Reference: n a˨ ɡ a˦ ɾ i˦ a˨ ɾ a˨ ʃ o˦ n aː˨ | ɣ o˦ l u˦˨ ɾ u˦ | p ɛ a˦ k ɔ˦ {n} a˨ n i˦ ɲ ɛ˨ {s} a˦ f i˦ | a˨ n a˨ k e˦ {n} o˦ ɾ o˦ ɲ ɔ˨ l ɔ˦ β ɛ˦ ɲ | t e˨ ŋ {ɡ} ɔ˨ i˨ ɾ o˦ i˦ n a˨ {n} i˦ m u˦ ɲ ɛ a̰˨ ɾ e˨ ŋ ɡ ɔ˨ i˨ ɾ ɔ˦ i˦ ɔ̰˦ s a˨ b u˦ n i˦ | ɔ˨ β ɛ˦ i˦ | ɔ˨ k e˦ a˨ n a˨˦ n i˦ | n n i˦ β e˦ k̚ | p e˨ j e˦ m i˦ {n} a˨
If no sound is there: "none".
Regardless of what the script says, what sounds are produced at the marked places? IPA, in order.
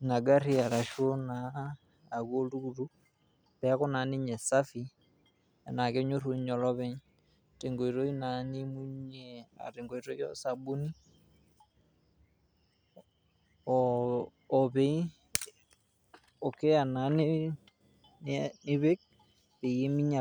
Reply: n, s, ɲ, ɡ, n, ɲ

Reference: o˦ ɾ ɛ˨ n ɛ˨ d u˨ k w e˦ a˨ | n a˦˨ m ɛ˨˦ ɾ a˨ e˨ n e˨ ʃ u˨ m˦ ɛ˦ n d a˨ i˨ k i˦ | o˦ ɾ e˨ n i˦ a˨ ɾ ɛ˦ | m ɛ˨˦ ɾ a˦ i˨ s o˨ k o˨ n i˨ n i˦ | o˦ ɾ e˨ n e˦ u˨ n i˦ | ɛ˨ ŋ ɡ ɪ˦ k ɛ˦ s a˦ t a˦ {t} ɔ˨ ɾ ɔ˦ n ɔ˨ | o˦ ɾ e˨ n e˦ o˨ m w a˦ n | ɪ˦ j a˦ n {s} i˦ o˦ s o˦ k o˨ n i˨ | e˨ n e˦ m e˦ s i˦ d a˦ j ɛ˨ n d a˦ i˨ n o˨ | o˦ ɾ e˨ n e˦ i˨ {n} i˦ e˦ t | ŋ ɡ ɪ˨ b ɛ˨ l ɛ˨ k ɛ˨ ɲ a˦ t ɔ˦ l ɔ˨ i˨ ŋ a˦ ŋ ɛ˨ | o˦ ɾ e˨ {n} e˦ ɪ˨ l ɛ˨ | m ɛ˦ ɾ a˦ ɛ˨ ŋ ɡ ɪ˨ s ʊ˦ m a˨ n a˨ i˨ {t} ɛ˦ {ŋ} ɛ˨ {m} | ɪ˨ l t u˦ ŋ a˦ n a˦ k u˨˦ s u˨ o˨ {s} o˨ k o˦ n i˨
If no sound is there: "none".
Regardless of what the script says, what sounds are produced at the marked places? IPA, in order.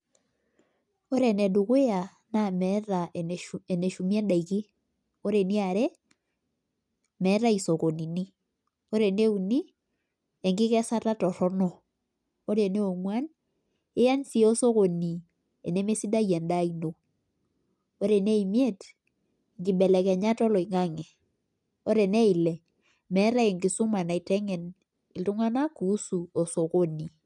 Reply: t, s, m, n, t, ŋ, n, s

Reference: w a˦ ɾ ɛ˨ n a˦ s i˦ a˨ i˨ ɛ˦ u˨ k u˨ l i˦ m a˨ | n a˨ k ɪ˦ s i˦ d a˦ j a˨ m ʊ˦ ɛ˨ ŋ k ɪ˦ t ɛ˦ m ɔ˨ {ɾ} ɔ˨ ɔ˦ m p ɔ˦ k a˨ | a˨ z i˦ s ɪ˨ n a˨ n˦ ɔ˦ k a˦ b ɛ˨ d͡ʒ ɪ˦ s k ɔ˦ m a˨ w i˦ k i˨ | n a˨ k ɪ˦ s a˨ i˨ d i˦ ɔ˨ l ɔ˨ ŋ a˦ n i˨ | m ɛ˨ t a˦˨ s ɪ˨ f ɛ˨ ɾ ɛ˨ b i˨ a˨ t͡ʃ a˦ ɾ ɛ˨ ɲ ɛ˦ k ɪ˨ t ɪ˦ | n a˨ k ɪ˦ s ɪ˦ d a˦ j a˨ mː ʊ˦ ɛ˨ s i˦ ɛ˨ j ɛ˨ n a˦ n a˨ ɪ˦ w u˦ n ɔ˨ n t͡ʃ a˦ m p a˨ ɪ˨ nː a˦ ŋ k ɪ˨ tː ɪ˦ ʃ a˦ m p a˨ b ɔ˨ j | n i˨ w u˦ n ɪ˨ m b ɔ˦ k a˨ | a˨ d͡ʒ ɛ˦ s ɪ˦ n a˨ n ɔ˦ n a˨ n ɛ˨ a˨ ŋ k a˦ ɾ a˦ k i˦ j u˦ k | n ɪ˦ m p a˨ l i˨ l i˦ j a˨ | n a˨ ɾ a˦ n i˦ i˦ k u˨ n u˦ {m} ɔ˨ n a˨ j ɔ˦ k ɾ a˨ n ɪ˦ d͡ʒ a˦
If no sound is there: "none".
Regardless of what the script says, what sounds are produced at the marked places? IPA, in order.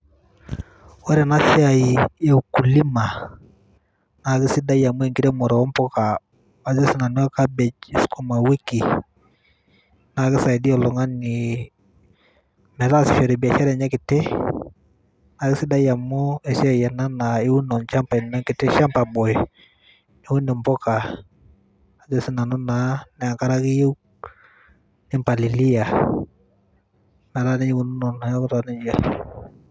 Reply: ɾ, n

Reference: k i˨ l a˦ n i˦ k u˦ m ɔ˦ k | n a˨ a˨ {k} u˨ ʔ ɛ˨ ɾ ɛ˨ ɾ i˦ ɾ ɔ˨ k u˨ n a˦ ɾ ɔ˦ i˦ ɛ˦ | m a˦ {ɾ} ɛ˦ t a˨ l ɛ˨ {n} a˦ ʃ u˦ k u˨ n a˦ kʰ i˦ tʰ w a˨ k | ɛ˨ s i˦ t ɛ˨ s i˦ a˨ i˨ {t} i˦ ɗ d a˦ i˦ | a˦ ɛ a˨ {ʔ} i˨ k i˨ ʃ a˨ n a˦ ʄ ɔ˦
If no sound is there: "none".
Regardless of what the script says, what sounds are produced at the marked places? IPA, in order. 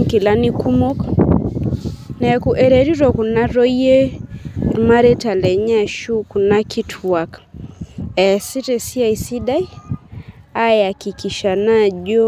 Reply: k, ɾ, ɲ, s, k

